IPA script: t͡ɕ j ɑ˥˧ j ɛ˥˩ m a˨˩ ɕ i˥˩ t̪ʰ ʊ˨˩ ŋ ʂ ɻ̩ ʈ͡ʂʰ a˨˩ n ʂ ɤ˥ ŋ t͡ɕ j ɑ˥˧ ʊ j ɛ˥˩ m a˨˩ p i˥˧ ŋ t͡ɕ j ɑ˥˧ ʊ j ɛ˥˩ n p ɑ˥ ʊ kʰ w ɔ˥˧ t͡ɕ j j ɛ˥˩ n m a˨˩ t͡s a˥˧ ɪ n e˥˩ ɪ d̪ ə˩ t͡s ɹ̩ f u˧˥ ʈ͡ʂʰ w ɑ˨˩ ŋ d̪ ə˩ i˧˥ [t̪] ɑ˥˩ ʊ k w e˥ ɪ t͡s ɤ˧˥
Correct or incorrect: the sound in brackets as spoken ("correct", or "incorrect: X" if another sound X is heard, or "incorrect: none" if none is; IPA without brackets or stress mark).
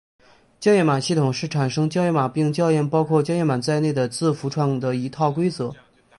incorrect: t̪ʰ